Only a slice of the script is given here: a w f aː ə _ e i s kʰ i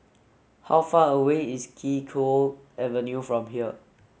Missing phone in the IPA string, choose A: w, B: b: A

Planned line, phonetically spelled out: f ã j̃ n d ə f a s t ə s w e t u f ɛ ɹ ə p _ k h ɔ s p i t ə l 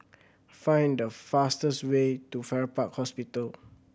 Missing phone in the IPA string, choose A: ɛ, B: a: B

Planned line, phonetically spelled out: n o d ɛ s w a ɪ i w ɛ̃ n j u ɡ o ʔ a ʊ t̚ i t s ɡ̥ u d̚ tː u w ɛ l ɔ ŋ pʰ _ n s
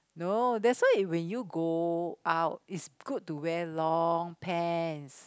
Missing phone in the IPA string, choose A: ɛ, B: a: A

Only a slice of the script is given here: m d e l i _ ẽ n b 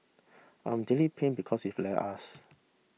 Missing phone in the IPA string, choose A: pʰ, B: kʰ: A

